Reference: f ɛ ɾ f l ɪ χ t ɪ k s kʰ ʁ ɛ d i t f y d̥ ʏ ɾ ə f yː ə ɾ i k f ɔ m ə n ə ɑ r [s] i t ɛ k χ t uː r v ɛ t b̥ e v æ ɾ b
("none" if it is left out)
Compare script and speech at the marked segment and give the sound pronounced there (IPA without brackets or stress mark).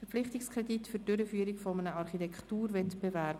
χ